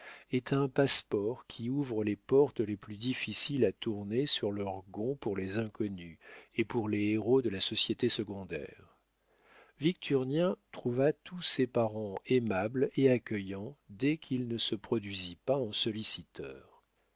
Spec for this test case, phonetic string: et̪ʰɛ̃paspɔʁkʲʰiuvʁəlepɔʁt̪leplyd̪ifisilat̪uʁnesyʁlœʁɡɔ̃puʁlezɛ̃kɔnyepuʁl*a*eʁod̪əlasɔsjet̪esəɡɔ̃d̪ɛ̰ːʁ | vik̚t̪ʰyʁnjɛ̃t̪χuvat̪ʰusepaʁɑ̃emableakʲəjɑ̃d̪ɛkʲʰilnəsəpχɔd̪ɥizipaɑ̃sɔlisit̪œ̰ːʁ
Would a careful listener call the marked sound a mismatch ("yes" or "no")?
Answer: yes